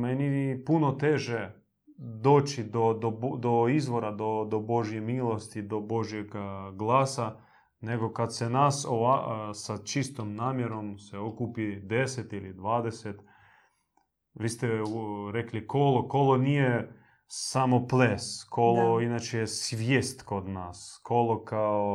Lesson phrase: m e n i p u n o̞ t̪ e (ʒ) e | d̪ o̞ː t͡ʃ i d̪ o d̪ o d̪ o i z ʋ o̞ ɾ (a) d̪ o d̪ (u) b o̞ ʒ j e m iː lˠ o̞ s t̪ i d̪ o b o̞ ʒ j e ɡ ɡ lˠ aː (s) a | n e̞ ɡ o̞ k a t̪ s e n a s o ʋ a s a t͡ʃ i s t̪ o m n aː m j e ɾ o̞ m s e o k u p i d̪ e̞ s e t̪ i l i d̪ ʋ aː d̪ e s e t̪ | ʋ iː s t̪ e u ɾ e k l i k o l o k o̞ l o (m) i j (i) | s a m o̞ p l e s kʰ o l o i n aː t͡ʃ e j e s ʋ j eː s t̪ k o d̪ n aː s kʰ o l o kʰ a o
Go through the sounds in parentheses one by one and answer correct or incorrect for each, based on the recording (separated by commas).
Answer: correct, correct, incorrect, correct, incorrect, incorrect